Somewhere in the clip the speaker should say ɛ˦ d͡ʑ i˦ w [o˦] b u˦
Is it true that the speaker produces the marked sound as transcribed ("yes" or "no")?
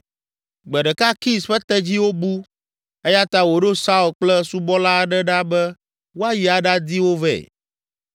yes